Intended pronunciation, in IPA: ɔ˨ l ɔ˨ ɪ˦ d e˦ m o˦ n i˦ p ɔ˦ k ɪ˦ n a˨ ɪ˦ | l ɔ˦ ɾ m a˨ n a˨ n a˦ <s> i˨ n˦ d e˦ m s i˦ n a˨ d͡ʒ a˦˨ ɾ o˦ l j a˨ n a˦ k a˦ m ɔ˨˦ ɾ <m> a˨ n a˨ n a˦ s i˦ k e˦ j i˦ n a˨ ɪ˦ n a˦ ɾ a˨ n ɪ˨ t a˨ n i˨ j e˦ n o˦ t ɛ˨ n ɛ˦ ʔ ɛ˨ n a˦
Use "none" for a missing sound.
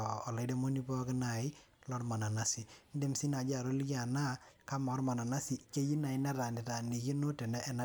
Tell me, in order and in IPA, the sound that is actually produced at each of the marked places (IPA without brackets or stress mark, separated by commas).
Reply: s, m